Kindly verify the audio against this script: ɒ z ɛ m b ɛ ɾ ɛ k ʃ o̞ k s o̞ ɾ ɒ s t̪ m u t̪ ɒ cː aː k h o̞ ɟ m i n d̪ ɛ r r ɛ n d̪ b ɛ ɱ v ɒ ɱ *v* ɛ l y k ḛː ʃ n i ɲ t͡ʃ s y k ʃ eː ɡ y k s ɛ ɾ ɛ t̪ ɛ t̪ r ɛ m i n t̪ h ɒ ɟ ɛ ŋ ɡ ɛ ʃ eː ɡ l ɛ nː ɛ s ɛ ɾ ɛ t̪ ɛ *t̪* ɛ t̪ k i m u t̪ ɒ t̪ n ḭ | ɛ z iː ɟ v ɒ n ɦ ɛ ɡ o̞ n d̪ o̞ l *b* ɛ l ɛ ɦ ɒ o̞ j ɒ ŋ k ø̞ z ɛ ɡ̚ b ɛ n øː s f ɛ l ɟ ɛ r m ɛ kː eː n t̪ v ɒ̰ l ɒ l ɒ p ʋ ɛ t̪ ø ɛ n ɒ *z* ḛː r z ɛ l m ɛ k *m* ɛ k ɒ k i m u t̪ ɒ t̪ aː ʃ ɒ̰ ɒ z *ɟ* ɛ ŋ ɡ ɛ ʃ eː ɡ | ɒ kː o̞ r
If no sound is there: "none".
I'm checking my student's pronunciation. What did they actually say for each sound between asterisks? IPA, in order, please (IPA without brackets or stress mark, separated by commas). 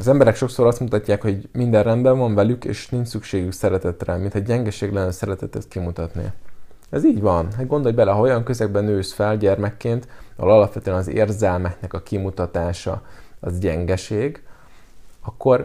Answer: v, t̪, b, z, n, ɟ